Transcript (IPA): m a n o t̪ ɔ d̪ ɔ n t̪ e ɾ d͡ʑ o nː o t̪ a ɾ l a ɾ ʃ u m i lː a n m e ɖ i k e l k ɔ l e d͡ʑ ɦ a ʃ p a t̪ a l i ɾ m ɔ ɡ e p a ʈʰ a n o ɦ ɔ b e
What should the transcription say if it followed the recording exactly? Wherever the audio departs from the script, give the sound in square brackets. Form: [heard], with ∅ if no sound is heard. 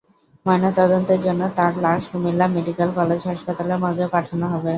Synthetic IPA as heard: m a n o t̪ ɔ d̪ [o] n t̪ e ɾ d͡ʑ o nː o t̪ a ɾ l a ɾ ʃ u m i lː a [∅] m e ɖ i k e l k ɔ l e d͡ʑ ɦ a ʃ p a t̪ a l [e] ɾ m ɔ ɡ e p a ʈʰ a n o ɦ ɔ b e